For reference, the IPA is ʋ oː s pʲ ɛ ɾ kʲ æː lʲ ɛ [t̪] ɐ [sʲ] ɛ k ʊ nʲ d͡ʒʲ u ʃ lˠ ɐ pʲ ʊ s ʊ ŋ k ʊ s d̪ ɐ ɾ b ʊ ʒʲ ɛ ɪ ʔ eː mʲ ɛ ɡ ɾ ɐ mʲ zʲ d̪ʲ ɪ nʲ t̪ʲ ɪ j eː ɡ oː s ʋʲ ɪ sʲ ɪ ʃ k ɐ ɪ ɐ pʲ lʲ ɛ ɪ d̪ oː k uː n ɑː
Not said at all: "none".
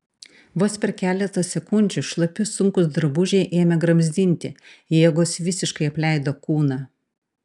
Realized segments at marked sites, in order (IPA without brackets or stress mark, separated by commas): t̪, sʲ